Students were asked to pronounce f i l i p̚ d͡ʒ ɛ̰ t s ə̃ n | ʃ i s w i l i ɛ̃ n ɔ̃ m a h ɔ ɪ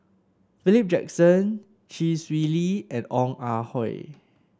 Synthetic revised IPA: f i l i p̚ d͡ʒ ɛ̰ k s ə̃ n | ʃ i s w i l i ɛ̃ n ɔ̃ ŋ a h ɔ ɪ